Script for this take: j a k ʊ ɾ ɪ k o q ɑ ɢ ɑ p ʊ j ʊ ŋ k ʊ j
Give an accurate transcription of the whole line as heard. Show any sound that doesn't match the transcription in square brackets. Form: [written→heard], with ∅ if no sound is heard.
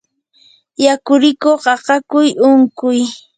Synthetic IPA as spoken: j a k ʊ ɾ ɪ k o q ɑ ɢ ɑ [p→k] ʊ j ʊ ŋ k ʊ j